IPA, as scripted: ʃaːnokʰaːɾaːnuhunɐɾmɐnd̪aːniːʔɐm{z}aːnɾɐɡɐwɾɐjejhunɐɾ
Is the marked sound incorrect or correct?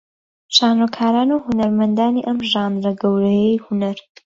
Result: incorrect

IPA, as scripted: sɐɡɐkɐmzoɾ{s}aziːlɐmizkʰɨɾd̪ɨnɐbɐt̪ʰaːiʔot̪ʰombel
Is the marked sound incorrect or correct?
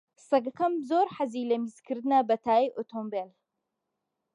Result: incorrect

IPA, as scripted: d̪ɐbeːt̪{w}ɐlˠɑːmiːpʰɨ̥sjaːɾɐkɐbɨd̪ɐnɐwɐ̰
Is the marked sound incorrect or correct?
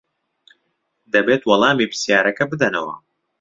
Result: correct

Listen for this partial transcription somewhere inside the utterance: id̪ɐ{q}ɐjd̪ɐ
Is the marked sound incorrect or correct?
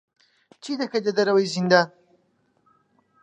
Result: incorrect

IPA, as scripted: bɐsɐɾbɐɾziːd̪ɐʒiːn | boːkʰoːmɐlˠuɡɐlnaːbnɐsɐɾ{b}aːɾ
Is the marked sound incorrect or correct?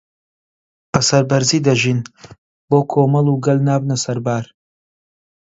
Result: correct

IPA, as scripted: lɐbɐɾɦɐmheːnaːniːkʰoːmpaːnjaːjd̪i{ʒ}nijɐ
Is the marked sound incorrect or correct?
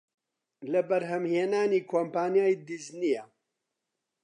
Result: incorrect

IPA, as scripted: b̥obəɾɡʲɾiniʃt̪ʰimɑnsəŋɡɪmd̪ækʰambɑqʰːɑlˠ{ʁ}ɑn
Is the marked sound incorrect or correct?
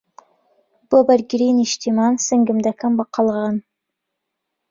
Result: correct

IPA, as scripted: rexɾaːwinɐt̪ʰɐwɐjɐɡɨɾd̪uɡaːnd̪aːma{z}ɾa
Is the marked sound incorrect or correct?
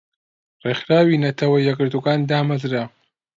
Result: correct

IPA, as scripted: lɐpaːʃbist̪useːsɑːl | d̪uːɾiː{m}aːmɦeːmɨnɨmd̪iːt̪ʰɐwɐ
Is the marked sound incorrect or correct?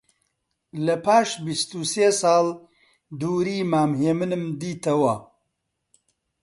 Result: correct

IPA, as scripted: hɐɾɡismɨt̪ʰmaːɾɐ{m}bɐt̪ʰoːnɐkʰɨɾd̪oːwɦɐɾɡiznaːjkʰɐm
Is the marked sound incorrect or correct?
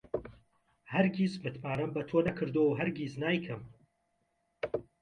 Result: correct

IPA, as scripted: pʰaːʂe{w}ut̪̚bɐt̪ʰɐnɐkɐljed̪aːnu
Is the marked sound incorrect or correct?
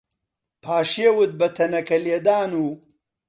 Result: correct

